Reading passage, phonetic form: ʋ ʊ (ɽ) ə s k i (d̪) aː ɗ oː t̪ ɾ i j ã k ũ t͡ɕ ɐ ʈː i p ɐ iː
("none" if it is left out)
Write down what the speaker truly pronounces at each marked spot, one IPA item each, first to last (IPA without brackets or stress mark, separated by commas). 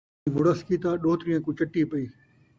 ɽ, t̪